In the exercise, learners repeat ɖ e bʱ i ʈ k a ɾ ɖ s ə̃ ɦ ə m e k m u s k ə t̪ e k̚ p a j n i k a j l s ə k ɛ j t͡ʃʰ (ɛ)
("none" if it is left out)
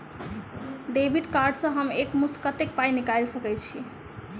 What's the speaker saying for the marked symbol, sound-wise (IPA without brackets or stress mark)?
i